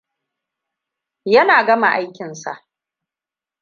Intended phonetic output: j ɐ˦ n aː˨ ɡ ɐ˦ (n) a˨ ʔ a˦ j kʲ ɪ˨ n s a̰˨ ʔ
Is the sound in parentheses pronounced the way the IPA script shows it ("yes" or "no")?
no